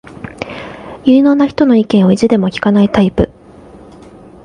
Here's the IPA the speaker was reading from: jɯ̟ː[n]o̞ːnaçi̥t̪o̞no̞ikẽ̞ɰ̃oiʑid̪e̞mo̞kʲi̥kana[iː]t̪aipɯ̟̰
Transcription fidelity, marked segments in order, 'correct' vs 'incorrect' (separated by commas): correct, incorrect